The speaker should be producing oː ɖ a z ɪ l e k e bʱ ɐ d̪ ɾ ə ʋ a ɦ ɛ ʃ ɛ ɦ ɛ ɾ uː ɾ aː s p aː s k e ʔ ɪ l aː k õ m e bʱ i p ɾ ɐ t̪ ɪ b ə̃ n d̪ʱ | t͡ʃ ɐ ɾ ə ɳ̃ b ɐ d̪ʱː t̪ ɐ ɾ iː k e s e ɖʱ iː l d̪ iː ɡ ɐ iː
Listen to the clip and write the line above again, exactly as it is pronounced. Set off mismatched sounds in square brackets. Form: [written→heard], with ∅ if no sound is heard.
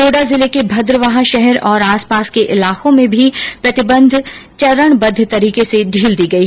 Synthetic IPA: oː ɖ a z ɪ l e k e bʱ ɐ d̪ ɾ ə ʋ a ɦ [ɛ→a] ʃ ɛ ɦ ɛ ɾ [uː→ɔː] ɾ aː s p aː s k e ʔ ɪ l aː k õ m [e→ẽ] bʱ i p ɾ ɐ t̪ ɪ b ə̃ n d̪ʱ | t͡ʃ ɐ ɾ ə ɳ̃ b ɐ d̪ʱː t̪ ɐ ɾ iː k e s e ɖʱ iː l d̪ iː ɡ ɐ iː